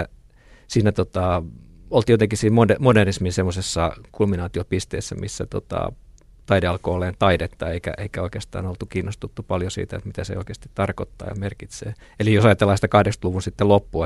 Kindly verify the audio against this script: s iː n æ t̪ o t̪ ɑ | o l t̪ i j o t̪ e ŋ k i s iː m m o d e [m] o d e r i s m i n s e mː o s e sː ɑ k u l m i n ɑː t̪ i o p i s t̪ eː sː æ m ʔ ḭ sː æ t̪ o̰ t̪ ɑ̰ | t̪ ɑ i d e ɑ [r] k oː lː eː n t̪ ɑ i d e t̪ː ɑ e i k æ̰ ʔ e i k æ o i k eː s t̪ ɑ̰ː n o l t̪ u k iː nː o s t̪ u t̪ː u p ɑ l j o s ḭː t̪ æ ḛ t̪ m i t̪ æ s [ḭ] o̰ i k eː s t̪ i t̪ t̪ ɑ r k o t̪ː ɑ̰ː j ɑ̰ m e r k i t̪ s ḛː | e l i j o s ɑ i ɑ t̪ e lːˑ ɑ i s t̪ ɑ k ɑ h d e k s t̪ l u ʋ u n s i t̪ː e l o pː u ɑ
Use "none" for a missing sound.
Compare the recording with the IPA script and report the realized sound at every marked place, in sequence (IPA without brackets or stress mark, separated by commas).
m, l, ḛ